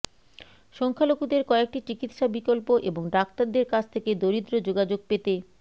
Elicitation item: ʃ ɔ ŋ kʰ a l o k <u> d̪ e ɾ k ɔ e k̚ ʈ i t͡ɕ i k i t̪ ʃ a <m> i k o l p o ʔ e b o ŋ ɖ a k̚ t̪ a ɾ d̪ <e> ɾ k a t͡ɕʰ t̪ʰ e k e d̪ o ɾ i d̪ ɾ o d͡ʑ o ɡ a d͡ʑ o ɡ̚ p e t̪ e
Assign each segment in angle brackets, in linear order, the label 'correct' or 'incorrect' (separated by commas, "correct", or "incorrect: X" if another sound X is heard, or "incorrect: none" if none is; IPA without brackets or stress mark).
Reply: correct, incorrect: b, correct